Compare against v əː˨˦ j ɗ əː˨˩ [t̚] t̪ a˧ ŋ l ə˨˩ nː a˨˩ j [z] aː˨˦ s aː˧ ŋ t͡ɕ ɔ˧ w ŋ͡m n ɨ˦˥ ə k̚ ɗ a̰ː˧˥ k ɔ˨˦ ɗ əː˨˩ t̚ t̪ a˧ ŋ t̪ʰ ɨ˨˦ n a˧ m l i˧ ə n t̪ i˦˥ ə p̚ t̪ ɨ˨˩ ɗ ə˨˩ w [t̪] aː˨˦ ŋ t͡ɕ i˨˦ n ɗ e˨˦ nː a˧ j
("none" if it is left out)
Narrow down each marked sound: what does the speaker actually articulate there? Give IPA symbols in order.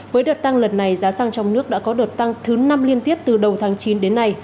t̚, z, t̪ʰ

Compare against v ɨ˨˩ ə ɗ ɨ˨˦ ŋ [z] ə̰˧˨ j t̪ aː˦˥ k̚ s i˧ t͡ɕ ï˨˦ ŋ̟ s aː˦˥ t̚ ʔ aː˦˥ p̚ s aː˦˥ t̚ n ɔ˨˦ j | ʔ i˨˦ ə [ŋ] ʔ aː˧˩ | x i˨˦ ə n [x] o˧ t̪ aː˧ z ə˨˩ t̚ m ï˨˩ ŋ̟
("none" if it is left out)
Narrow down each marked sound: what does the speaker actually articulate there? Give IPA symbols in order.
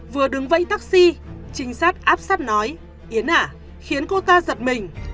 v, n, k

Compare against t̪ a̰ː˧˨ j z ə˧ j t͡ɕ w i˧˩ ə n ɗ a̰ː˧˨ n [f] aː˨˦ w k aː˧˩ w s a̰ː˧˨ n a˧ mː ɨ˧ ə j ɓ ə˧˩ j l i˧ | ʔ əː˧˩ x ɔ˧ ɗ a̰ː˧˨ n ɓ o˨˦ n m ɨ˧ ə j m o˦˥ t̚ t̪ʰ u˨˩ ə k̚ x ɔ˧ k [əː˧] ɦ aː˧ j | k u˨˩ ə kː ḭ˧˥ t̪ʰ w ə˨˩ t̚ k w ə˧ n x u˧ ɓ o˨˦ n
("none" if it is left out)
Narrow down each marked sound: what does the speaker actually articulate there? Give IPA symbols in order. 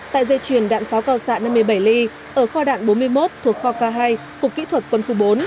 f, aː˧

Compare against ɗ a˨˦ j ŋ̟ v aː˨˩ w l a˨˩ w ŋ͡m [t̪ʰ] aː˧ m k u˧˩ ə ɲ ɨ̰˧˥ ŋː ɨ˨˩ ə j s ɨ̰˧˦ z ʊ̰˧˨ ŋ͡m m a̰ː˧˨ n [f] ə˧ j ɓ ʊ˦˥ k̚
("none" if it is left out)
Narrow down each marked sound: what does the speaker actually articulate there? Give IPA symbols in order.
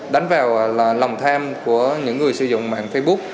t̪ʰ, f

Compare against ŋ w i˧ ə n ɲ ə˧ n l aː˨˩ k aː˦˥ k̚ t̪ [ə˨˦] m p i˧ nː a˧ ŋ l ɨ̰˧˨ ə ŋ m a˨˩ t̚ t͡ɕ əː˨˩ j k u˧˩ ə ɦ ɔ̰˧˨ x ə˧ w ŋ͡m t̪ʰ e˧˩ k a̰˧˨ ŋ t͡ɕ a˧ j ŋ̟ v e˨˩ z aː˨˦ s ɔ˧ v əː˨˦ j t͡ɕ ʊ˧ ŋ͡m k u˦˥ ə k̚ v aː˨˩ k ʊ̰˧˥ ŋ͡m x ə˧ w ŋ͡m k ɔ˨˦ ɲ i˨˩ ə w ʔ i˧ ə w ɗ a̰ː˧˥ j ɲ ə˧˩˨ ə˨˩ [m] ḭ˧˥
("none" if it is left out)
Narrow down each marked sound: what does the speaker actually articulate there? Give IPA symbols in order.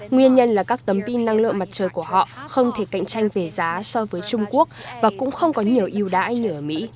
ə˨˦, m

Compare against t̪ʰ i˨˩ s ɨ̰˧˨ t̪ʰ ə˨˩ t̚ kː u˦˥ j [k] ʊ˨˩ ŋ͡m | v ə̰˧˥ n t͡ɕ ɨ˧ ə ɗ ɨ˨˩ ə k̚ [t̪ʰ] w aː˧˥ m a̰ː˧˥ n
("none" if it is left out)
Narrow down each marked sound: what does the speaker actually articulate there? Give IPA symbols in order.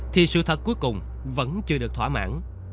k, t̪ʰ

